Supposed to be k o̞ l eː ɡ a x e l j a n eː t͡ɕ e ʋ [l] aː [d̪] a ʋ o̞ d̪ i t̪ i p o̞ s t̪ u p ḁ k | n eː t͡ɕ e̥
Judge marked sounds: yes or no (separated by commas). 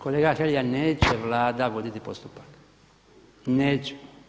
yes, yes